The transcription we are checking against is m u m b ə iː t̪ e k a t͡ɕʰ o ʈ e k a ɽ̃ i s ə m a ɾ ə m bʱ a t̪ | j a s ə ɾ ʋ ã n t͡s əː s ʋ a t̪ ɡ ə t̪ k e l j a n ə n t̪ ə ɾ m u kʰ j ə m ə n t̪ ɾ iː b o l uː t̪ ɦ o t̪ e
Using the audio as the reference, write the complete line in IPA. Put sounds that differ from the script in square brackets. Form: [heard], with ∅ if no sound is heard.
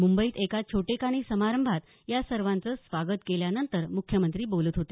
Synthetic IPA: m u m b ə iː t̪ e k a t͡ɕʰ o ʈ e k a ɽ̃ i s ə m a ɾ ə m bʱ a t̪ | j a s ə ɾ ʋ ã n t͡s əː s ʋ a [∅] ɡ ə t̪ k e l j a n ə n t̪ ə ɾ m u kʰ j ə m ə n t̪ ɾ iː b o l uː t̪ ɦ o t̪ e